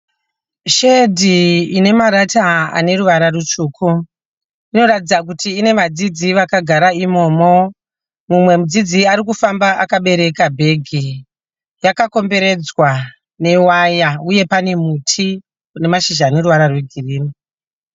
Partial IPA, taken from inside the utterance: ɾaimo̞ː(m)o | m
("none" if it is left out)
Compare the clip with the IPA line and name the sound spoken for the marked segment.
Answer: m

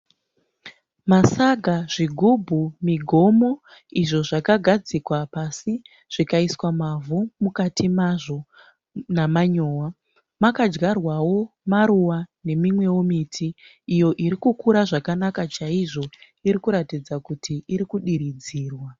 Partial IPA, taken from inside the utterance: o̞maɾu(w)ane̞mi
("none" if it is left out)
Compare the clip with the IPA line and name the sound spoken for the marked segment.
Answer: w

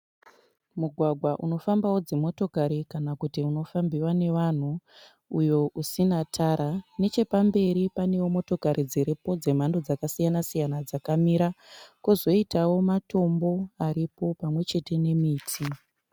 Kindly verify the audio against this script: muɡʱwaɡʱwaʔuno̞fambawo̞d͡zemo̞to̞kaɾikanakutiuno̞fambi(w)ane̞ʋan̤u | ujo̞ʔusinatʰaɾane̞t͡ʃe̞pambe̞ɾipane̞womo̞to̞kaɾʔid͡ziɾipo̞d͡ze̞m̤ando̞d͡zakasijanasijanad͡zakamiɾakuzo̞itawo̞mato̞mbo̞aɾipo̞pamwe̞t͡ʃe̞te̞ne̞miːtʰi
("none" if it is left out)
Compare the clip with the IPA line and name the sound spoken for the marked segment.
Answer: w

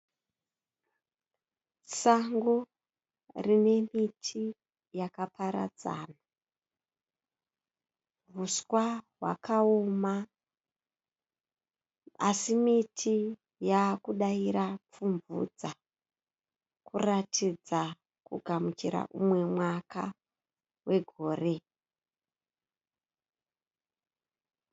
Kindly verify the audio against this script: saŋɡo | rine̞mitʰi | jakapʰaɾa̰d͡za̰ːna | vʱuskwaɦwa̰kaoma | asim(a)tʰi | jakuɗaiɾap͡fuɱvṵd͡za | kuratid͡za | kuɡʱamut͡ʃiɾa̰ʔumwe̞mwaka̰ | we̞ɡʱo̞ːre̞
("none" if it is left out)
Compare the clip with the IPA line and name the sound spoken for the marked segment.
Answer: i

